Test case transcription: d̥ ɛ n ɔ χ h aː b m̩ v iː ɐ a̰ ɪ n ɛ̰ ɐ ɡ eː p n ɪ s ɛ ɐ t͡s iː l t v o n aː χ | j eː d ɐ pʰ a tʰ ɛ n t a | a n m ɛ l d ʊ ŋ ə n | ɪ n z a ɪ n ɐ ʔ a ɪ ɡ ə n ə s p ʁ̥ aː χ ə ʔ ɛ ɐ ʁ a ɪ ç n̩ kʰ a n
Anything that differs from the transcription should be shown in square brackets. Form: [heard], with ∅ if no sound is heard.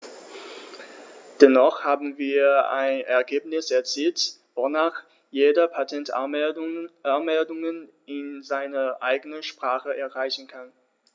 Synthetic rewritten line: d̥ ɛ n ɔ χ h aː b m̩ v iː ɐ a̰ ɪ n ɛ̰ ɐ ɡ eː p n ɪ s ɛ ɐ t͡s iː l t v o n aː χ | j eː d ɐ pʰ a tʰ ɛ n t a | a n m ɛ l d ʊ ŋ ə n | ɪ n z a ɪ n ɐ ʔ a ɪ ɡ ə n ə [ʃ] p ʁ̥ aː χ ə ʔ ɛ ɐ ʁ a ɪ ç n̩ kʰ a n